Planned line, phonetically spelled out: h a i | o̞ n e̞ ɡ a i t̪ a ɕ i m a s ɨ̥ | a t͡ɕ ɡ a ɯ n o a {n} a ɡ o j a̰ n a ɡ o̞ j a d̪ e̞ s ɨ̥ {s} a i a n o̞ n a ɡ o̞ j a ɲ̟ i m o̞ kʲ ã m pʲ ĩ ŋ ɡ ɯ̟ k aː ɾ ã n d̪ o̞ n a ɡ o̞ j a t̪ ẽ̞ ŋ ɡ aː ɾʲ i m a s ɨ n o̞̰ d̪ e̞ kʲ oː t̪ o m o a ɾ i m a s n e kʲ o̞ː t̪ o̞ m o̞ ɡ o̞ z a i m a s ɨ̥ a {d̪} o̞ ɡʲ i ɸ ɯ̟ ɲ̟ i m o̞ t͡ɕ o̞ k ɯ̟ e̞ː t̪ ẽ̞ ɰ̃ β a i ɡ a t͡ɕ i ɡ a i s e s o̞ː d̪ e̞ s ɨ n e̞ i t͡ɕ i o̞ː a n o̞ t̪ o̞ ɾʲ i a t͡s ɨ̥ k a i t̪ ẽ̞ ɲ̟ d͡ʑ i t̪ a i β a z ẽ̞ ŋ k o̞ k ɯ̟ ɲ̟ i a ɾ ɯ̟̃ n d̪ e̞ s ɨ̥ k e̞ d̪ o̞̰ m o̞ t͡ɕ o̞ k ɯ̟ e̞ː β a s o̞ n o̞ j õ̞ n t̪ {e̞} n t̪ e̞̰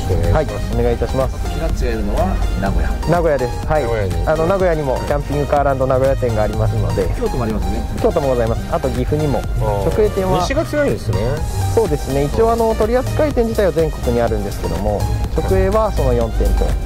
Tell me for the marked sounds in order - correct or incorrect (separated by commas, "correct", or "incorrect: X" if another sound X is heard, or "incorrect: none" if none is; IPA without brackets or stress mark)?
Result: correct, incorrect: h, incorrect: t̪, incorrect: ẽ̞